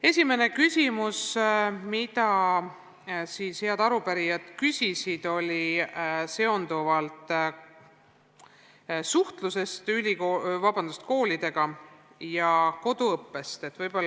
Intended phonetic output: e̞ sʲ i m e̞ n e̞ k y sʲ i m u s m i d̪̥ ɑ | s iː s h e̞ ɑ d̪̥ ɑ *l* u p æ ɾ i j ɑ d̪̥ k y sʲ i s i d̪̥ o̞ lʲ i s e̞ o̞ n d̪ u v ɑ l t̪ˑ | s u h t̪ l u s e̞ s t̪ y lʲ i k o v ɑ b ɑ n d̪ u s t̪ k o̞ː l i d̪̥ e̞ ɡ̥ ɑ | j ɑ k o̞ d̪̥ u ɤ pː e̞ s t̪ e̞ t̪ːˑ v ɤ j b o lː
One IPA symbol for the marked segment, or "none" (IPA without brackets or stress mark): ɾ